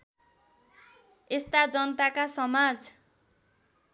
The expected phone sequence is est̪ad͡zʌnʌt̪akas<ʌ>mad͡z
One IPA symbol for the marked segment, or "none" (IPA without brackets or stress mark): ʌ